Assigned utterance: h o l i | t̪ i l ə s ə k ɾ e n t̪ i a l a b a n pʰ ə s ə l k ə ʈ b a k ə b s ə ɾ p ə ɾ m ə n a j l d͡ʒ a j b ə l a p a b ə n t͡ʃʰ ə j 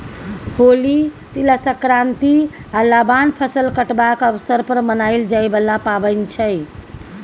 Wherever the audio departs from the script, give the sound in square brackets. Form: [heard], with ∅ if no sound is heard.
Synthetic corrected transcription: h o l i | t̪ i l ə s ə k ɾ [a] n t̪ i a l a b a n pʰ ə s ə l k ə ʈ b a k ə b s ə ɾ p ə ɾ m ə n a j l d͡ʒ a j b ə l a p a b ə n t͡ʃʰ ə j